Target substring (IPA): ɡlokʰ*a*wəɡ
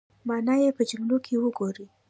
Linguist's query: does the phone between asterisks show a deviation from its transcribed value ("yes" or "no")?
yes